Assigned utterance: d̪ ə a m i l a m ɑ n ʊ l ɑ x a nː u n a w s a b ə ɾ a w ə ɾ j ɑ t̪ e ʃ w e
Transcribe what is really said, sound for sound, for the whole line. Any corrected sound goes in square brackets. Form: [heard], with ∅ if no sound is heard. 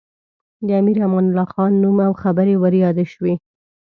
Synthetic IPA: d̪ ə a m i [ɾ] a m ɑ n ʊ l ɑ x [ɑ] nː u [m] a w [x] a b ə ɾ [e] w ə ɾ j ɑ [d̪] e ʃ w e

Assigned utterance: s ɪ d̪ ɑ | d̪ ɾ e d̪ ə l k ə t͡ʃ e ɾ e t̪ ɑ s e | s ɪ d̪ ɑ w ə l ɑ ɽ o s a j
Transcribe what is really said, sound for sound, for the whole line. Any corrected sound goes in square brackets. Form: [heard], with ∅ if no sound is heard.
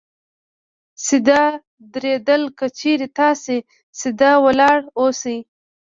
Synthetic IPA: s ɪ d̪ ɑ | d̪ ɾ e d̪ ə l k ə t͡ʃ e ɾ e t̪ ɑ s e | s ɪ d̪ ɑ w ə l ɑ ɽ o s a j

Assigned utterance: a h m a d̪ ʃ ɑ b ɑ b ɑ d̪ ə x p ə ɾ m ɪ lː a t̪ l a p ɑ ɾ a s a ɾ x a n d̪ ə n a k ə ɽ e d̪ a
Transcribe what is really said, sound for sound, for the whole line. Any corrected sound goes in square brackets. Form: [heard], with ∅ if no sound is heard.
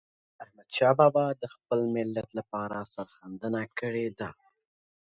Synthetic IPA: a h m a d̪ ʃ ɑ b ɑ b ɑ d̪ ə x p ə [l] m ɪ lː a t̪ l a p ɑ ɾ a s a ɾ x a n d̪ ə n a k ə ɽ e d̪ a

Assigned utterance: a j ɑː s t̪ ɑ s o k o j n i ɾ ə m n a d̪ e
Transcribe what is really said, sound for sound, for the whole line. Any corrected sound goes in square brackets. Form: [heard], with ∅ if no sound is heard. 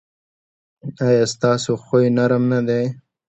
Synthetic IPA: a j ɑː s t̪ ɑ s o [x] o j n [a] ɾ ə m n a d̪ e

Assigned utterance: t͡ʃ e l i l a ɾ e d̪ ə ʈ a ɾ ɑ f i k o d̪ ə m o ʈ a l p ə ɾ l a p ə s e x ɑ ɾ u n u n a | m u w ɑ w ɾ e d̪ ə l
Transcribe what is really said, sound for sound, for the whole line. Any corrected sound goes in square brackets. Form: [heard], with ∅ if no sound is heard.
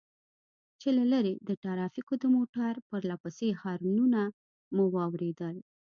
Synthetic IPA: t͡ʃ e l [a] l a ɾ e d̪ ə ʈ a ɾ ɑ f i k o d̪ ə m o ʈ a [ɾ] p ə ɾ l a p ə s e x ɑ ɾ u n u n a | m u w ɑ w ɾ e d̪ ə l

